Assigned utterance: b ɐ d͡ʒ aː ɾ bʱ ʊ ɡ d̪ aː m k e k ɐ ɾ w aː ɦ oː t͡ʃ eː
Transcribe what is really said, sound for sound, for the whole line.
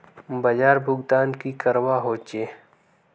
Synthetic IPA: b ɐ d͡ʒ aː ɾ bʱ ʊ ɡ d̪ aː n k i k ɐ ɾ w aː ɦ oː t͡ʃ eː